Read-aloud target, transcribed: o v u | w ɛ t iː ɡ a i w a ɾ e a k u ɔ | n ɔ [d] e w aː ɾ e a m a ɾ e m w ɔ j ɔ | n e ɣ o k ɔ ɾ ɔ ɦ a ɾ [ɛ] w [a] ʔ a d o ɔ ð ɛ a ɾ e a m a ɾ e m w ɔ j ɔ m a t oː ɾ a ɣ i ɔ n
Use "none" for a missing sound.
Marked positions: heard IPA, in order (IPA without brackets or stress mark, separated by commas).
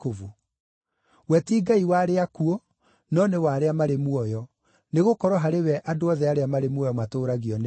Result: n, e, ɛ